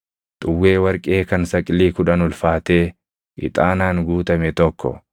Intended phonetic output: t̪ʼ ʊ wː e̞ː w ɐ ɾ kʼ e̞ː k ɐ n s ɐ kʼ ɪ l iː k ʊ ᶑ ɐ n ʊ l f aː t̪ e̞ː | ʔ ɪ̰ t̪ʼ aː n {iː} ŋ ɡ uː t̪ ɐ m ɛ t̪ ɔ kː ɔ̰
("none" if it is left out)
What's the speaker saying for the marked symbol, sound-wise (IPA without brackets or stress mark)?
aː